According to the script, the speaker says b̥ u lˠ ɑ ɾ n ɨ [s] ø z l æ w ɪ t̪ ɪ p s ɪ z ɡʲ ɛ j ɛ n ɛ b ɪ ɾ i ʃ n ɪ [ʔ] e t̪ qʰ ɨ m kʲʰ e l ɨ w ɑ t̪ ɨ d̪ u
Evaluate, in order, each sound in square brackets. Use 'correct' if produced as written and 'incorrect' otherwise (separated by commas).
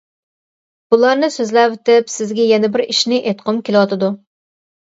correct, correct